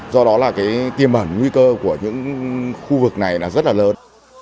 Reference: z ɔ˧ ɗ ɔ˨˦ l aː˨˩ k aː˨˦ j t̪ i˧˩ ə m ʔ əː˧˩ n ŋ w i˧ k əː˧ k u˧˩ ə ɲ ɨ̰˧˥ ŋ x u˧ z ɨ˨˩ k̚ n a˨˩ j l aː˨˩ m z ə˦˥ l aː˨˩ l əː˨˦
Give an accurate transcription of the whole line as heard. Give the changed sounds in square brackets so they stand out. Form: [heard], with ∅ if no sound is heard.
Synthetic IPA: z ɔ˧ ɗ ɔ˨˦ l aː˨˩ k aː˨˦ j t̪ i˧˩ ə m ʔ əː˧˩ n ŋ w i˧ k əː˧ k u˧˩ ə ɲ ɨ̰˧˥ ŋ x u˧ [v] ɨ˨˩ k̚ n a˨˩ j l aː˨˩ [∅] z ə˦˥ l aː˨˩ l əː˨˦